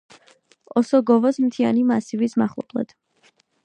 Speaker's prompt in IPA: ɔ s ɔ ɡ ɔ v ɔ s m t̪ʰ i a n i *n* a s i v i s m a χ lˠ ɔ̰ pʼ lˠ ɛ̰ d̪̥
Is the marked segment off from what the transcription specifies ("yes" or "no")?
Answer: yes